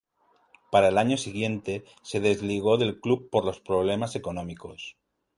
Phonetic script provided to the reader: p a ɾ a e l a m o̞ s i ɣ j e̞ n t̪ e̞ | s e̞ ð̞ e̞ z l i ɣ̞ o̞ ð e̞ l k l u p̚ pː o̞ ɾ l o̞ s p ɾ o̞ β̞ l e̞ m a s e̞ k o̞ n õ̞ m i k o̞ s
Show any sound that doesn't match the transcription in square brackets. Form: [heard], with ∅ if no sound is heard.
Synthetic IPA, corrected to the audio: p a ɾ a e l a [ɲ] o̞ s i ɣ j e̞ n t̪ e̞ | s e̞ ð̞ e̞ z l i ɣ̞ o̞ ð e̞ l k l u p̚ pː o̞ ɾ l o̞ s p ɾ o̞ β̞ l e̞ m a s e̞ k o̞ n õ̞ m i k o̞ s